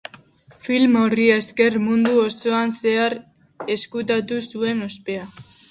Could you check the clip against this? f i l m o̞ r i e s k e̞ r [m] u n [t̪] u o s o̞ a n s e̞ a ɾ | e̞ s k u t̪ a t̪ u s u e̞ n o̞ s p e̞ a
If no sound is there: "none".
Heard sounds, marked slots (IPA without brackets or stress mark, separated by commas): m, d̪